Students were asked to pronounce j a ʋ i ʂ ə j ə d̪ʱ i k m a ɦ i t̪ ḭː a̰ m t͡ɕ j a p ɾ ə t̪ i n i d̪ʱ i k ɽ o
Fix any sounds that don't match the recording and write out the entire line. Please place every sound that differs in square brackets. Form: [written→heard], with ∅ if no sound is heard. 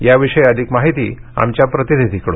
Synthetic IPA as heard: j a ʋ i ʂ ə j ə d̪ʱ i k m a ɦ i t̪ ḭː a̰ m t͡ɕ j a p ɾ ə t̪ i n i d̪ʱ i k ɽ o